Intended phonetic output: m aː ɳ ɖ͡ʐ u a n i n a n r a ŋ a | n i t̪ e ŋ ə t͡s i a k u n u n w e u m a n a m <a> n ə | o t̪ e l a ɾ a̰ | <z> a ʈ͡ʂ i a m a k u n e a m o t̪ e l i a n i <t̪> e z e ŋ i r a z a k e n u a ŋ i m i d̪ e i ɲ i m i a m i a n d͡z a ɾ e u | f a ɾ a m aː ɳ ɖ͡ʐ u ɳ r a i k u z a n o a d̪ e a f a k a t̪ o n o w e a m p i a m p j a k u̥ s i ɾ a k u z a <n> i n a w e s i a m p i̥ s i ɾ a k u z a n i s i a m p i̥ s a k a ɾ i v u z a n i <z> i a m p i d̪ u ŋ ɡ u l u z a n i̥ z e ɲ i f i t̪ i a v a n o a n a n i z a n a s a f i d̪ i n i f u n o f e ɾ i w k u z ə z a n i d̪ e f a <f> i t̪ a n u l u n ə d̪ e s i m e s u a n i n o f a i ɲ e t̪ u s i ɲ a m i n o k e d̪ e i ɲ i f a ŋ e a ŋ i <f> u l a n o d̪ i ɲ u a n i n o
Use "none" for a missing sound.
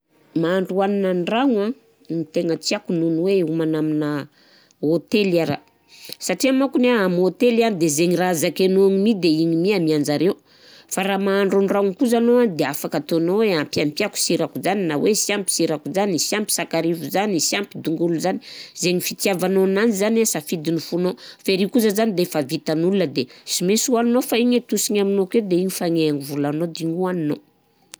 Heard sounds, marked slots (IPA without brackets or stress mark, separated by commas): i, s, d̪, n, s, v, v